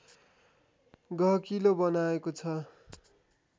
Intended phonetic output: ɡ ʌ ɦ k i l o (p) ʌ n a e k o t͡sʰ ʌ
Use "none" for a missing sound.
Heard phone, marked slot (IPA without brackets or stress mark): b